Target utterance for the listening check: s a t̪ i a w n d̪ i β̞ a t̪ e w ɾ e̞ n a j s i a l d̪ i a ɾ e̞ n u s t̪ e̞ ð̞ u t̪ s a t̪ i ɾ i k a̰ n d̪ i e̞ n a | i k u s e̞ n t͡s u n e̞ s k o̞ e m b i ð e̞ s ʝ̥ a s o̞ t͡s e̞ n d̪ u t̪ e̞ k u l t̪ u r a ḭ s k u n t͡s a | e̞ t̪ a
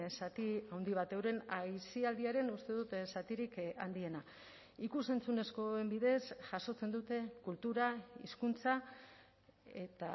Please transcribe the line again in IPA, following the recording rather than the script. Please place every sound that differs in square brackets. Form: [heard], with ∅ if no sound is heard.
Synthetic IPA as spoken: s a t̪ i a w n d̪ i β̞ a t̪ e w ɾ e̞ n a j s i a l d̪ i a ɾ e̞ n u s t̪ e̞ ð̞ u t̪ s a t̪ i ɾ i k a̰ n d̪ i e̞ n a | i k u s e̞ n t͡s u n e̞ s k o̞ e m b i ð e̞ s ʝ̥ a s o̞ t͡s e̞ n d̪ u t̪ e̞ k u l t̪ u [ɾ] a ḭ s k u n t͡s a | e̞ t̪ a